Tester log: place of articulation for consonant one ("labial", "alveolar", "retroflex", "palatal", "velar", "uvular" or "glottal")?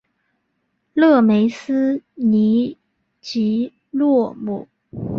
alveolar